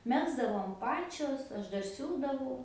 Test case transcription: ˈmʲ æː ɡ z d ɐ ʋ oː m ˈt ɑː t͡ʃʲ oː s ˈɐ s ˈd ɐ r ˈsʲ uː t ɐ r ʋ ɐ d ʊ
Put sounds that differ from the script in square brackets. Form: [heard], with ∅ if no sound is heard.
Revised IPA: ˈmʲ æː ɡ z d ɐ ʋ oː m [ˈp] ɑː t͡ʃʲ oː s ˈɐ [ʃ] ˈd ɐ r ˈsʲ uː [d] ɐ [∅] ʋ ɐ [∅] ʊ

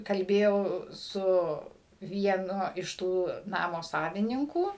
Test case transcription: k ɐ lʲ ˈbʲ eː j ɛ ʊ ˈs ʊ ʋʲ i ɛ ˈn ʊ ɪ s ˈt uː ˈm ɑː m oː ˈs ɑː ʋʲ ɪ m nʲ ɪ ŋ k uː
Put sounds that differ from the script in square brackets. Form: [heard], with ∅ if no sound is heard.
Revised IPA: k ɐ lʲ ˈbʲ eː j ɛ ʊ ˈs ʊ ʋʲ i ɛ ˈn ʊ ɪ [ʃ] ˈt uː [ˈn] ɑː m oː ˈs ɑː ʋʲ ɪ [∅] nʲ ɪ ŋ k uː

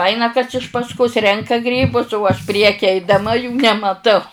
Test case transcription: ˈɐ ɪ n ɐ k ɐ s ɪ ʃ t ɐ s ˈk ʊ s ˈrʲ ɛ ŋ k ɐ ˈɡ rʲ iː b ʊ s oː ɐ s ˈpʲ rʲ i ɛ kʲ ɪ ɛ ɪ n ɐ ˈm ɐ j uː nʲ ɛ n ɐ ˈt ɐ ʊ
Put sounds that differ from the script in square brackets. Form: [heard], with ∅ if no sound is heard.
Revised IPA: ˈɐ ɪ n ɐ k ɐ s ɪ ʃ [p] ɐ s ˈk ʊ s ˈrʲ ɛ ŋ k ɐ ˈɡ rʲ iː b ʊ s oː ɐ [ʃ] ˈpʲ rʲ i ɛ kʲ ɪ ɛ ɪ [d] ɐ ˈm ɐ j uː nʲ ɛ [m] ɐ ˈt ɐ ʊ

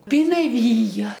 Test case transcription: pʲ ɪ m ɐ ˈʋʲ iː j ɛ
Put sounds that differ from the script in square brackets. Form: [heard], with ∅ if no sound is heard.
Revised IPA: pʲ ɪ [n] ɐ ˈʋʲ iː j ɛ

